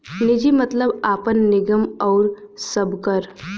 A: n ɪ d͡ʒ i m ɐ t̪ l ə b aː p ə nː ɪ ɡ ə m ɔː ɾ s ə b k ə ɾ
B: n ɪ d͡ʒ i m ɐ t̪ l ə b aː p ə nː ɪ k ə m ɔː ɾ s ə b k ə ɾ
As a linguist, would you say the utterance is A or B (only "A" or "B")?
A